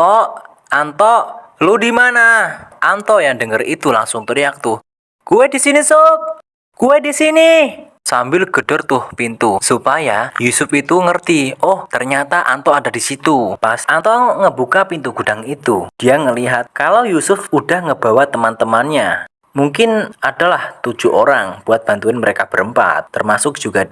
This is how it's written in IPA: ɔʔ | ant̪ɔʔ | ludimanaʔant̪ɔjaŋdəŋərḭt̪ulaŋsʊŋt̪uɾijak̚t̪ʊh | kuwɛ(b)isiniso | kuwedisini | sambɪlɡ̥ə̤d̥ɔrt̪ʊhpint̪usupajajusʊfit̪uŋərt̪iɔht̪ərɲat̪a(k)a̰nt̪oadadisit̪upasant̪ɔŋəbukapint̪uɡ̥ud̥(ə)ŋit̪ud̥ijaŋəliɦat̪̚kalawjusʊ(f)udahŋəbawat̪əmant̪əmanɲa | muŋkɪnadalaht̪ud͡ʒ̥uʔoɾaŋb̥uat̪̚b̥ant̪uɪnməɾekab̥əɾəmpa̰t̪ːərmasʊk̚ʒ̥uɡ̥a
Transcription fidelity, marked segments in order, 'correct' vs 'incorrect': incorrect: d, incorrect: ʔ, incorrect: a, correct

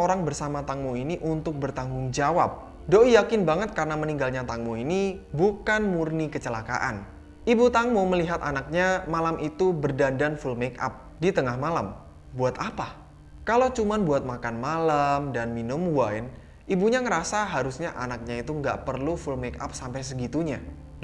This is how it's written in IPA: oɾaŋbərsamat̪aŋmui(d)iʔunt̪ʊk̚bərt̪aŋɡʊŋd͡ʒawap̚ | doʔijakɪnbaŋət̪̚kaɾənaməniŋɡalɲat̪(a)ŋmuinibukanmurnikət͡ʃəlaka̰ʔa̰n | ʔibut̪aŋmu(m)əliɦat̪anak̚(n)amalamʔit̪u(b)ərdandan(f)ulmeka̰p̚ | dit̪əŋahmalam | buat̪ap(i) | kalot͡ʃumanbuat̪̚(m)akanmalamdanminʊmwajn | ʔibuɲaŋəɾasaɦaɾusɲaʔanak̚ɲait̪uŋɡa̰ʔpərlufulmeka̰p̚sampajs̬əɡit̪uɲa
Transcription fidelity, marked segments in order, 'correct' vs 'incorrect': incorrect: n, correct, correct, incorrect: ɲ, correct, correct, incorrect: a, correct

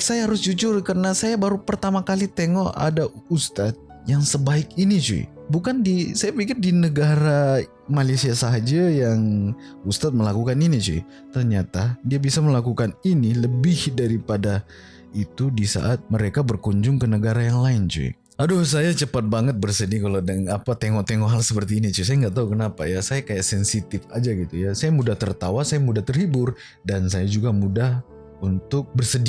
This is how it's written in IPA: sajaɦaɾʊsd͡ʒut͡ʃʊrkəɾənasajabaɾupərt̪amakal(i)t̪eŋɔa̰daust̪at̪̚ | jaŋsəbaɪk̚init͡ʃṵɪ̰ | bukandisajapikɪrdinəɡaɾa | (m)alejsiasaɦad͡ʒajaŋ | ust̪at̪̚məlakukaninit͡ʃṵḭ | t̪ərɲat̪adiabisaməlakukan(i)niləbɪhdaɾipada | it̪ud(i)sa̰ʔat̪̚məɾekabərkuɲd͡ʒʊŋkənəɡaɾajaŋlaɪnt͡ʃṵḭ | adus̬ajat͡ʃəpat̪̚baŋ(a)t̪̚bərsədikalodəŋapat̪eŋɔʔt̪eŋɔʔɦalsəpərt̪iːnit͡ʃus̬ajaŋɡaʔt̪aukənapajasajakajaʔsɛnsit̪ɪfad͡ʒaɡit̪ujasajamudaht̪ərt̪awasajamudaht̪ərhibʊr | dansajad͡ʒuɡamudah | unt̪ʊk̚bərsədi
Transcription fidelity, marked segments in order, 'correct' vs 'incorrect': correct, correct, correct, correct, incorrect: ə

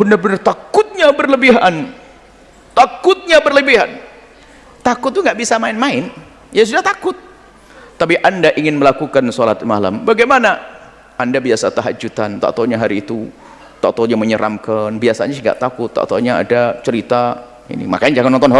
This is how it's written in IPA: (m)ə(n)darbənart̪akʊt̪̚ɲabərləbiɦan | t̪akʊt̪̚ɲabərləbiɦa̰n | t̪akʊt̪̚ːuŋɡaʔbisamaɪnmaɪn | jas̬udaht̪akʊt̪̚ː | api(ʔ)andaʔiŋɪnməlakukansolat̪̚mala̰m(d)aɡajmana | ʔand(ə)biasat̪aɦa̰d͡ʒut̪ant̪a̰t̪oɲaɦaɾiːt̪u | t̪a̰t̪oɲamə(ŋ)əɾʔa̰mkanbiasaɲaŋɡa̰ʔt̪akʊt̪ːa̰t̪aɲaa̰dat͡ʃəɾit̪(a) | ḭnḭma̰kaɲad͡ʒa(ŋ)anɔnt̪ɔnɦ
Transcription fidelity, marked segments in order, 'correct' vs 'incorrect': incorrect: b, correct, correct, incorrect: b, incorrect: a, incorrect: ɲ, correct, correct

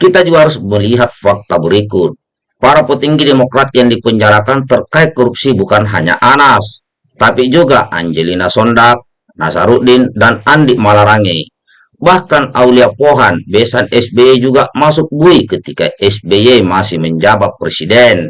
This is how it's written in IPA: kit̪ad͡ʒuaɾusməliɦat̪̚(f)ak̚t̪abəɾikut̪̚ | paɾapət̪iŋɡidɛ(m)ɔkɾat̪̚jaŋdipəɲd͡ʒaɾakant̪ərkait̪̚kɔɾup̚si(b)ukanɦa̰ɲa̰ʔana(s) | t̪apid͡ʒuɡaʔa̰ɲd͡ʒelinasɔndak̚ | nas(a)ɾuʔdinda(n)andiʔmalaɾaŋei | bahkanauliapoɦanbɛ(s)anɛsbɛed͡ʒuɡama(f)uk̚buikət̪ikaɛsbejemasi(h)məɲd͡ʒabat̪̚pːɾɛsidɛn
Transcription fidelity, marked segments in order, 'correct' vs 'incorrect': correct, correct, correct, correct, correct, correct, correct, incorrect: s, correct

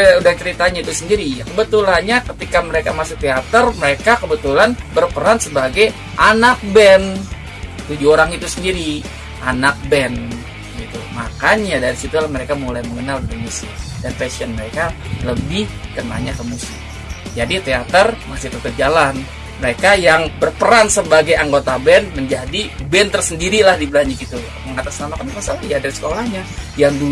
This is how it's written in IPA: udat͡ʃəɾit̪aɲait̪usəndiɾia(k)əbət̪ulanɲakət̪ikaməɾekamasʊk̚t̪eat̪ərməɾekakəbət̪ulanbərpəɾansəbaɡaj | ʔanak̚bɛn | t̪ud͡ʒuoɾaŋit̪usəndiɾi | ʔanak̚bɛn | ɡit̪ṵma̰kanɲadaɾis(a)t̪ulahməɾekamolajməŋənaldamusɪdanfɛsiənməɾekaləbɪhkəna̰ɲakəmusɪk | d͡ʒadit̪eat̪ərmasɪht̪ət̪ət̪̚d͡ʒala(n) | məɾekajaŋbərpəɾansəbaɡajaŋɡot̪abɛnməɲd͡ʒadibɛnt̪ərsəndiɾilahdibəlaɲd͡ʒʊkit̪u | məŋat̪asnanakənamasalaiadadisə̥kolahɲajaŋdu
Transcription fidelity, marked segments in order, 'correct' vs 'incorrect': correct, incorrect: i, correct

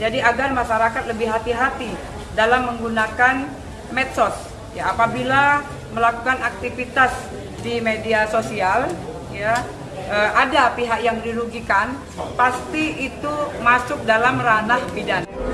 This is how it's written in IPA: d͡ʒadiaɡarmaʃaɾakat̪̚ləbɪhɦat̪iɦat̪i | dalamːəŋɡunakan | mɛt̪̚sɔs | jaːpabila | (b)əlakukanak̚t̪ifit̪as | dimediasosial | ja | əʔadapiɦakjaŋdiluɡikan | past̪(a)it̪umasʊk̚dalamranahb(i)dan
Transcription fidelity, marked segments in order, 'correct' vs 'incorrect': incorrect: m, incorrect: i, correct

